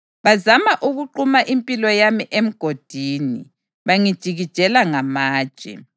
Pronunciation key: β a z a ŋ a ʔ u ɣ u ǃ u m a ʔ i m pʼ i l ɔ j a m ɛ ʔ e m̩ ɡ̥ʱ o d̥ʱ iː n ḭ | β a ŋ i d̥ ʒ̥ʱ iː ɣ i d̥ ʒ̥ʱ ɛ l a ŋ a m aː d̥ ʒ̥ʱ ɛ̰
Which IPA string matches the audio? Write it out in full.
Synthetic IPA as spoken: β a z a m a ʔ u ɣ u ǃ u m a ʔ i m pʼ i l ɔ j a m i ʔ e m̩ ɡ̥ʱ o d̥ʱ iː n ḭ | β a ŋ i d̥ ʒ̥ʱ i ɣ i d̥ ʒ̥ʱ ɛ l a ŋ a m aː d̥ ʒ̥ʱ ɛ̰